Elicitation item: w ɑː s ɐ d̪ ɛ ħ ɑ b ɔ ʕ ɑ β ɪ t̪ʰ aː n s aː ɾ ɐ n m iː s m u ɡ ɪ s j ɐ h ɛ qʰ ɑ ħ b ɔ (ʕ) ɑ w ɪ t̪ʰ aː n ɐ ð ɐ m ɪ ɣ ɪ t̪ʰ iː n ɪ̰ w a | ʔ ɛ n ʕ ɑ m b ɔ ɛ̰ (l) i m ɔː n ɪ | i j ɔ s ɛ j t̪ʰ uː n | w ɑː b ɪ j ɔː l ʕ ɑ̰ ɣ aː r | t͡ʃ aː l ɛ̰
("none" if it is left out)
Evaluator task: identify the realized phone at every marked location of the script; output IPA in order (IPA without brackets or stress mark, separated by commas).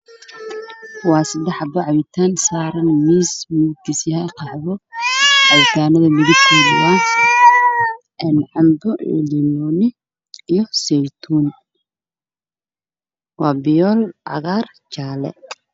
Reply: ʕ, l